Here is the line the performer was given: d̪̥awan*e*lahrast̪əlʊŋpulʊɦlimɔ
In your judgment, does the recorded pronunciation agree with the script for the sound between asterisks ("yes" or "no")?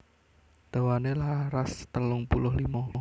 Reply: yes